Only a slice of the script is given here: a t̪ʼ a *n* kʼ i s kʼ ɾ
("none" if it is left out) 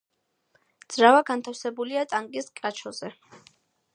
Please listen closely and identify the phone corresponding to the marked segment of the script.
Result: ŋ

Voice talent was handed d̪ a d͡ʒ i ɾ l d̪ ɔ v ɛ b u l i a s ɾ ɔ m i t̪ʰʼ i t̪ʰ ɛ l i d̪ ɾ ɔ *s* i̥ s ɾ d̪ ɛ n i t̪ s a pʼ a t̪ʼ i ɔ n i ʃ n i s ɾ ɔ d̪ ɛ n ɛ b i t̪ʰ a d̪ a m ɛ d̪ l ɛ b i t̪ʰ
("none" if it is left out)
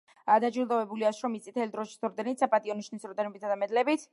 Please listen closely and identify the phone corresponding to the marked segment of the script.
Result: ʃ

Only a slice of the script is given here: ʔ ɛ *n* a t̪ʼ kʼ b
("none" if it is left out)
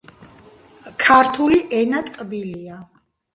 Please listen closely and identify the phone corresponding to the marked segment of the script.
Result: n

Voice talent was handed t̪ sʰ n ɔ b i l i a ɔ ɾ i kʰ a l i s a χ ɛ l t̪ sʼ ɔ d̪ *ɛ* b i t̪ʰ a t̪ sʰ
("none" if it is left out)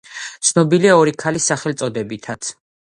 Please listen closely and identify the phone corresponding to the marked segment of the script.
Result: ɛ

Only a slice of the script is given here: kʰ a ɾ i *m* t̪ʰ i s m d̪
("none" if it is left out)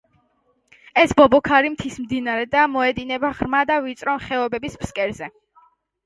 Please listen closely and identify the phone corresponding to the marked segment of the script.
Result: m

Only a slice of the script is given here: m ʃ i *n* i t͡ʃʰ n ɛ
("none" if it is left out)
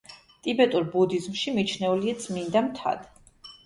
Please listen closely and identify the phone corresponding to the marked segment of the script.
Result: m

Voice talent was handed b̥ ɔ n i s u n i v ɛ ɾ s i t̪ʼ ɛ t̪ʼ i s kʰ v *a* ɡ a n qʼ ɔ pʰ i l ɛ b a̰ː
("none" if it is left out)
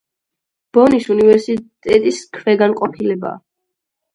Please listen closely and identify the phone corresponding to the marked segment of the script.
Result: ɛ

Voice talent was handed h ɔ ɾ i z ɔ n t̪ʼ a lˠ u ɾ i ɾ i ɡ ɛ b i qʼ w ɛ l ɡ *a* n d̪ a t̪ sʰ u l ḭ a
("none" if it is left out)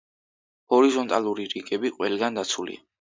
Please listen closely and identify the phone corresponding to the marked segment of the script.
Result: a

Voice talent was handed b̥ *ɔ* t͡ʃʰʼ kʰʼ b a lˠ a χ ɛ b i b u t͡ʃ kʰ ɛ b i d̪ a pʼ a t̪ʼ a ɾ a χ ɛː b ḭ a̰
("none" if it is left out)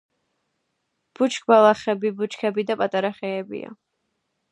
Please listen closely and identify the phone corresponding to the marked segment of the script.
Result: u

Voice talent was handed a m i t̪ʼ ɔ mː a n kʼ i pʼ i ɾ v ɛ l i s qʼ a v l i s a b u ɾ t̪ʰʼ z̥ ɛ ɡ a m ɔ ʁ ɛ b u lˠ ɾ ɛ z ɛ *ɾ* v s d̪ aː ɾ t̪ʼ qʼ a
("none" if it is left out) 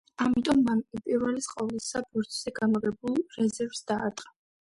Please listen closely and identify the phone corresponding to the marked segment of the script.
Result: ɾ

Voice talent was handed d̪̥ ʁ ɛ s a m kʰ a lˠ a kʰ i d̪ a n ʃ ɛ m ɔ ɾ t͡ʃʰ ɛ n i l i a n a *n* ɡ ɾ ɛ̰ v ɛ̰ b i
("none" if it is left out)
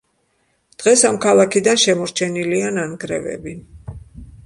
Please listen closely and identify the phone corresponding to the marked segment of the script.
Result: n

